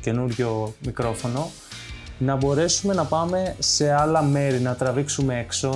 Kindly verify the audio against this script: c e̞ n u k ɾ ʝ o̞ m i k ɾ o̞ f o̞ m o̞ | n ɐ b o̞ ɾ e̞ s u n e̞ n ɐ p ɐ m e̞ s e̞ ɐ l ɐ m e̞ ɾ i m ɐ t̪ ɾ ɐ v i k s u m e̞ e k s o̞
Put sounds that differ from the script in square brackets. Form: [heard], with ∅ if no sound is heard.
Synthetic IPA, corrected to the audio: c e̞ n u [∅] ɾ ʝ o̞ m i k ɾ o̞ f o̞ [n] o̞ | n ɐ b o̞ ɾ e̞ s u [m] e̞ n ɐ p ɐ m e̞ s e̞ ɐ l ɐ m e̞ ɾ i [n] ɐ t̪ ɾ ɐ v i k s u m e̞ e k s o̞